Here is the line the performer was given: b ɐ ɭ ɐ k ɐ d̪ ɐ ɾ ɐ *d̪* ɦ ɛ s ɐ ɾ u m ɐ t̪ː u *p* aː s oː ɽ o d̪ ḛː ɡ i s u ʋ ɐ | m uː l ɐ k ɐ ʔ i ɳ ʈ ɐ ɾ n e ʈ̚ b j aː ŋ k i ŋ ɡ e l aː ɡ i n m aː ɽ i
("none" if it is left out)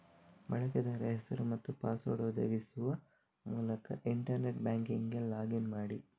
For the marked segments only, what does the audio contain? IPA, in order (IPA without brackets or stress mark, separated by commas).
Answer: none, p